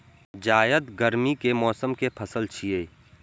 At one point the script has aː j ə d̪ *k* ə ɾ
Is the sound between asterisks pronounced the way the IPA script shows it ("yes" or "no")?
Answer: no